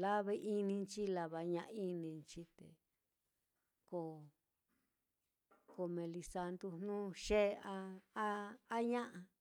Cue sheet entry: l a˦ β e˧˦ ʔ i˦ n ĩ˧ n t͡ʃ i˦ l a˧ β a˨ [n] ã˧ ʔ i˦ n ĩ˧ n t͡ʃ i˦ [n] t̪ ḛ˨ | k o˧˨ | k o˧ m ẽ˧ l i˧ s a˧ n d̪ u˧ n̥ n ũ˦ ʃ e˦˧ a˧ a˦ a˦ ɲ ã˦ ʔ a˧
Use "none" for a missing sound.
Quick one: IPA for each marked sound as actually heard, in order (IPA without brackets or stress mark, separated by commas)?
ɲ, none